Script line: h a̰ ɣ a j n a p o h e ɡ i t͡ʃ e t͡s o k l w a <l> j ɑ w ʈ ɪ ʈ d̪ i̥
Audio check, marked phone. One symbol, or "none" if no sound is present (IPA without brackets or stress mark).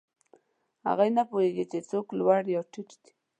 ɽ